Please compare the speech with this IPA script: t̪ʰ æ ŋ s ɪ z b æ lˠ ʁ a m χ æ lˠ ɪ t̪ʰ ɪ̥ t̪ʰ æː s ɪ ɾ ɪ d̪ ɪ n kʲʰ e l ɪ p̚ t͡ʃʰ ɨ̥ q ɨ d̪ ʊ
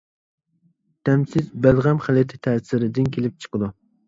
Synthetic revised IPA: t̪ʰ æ m s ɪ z b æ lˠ ʁ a m χ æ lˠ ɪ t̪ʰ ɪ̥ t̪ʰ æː s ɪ ɾ ɪ d̪ ɪ n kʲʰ e l ɪ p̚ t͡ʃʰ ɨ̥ q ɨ d̪ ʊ